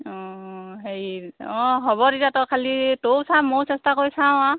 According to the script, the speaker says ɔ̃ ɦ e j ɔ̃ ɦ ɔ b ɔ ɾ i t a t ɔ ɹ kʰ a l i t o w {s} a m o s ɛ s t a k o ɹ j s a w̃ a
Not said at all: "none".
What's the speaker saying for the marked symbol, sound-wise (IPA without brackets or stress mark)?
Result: s